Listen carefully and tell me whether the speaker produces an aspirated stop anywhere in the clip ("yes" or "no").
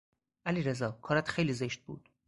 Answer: yes